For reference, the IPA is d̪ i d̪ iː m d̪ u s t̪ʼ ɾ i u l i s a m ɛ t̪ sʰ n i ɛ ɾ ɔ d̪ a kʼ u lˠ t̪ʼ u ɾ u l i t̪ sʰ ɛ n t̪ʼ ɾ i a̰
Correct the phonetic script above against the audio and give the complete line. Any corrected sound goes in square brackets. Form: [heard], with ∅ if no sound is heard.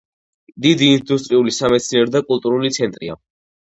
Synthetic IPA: d̪ i d̪ iː [n] d̪ u s t̪ʼ ɾ i u l i s a m ɛ t̪ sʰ n i ɛ ɾ ɔ d̪ a kʼ u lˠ t̪ʼ u ɾ u l i t̪ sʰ ɛ n t̪ʼ ɾ i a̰